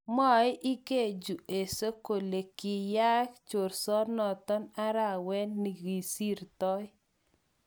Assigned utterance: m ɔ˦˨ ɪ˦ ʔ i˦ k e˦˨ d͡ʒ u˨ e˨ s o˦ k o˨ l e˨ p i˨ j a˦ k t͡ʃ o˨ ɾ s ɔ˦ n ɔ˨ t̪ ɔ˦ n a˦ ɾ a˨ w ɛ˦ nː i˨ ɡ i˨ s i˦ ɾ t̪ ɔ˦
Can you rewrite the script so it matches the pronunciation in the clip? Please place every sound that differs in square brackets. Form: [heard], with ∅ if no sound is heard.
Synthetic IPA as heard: m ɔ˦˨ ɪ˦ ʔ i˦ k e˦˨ d͡ʒ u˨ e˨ s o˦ k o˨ l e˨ [k] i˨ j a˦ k t͡ʃ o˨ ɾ s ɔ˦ n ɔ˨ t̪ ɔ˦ n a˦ ɾ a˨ w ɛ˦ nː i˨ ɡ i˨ s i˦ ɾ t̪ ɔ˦